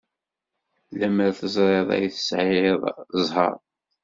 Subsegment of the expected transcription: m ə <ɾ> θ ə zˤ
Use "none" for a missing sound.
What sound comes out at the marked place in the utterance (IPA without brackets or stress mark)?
ɾ